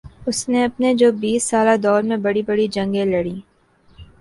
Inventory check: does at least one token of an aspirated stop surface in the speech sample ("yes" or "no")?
no